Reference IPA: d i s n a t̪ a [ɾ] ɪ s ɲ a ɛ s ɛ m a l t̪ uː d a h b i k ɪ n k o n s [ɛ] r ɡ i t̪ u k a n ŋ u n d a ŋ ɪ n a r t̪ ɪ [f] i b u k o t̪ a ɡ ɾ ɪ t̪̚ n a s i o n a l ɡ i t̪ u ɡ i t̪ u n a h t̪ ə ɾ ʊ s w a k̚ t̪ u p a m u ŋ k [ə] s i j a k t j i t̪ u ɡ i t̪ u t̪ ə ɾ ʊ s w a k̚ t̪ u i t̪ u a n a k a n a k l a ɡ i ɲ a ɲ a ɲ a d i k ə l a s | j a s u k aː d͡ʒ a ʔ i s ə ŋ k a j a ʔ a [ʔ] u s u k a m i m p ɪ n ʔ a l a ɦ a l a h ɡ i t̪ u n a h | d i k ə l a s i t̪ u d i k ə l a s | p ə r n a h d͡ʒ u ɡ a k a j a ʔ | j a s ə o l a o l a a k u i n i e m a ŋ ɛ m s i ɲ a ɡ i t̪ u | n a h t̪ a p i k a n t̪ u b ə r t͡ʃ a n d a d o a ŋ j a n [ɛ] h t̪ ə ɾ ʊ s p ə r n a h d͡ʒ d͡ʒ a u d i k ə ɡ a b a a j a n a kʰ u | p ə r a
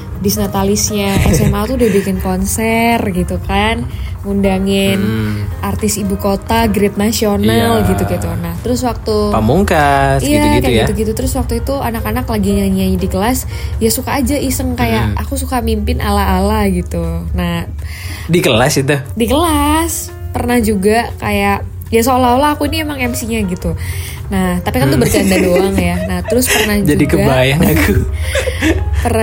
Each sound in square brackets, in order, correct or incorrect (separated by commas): incorrect, correct, incorrect, incorrect, incorrect, incorrect